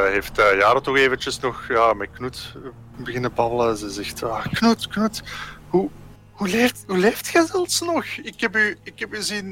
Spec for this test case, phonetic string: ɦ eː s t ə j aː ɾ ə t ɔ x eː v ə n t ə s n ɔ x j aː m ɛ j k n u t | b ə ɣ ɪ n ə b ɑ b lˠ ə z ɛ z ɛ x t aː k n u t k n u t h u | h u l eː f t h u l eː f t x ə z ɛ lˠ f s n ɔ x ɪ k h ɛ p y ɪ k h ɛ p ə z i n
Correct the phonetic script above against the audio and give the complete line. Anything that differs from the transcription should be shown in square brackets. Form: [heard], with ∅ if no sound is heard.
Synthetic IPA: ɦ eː [f] t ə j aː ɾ ə t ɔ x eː v ə n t ə s n ɔ x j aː m ɛ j k n u t | b ə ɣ ɪ n ə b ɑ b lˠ ə z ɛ z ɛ x t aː k n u t k n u t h u | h u l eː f t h u l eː f t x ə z ɛ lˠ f s n ɔ x ɪ k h ɛ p y ɪ k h ɛ p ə z i n